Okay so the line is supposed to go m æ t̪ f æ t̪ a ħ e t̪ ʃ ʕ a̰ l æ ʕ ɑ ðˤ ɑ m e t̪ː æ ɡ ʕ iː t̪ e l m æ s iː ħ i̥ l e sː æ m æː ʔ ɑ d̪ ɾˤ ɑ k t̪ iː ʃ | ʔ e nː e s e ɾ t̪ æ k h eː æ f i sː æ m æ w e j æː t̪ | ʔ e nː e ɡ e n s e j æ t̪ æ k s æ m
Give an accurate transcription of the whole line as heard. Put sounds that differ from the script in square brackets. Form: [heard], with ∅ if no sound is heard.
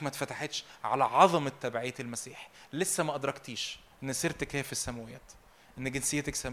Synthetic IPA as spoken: m æ t̪ f æ t̪ a ħ e t̪ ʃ ʕ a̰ l æ ʕ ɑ ðˤ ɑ m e t̪ː æ [b] ʕ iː t̪ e l m æ s iː ħ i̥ l e sː æ m [æ] ʔ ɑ d̪ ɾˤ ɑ k t̪ iː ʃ | ʔ e nː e s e ɾ t̪ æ k h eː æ f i sː æ m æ w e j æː t̪ | ʔ e nː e ɡ e n s e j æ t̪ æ k s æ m